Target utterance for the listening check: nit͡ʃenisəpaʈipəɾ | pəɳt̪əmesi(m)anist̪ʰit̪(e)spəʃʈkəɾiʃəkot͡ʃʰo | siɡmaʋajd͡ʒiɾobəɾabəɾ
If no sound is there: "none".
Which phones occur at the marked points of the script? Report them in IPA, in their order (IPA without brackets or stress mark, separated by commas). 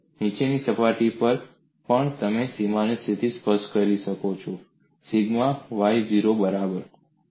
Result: m, i